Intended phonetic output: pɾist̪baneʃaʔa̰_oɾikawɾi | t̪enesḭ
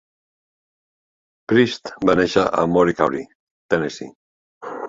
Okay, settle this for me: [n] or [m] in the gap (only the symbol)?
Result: m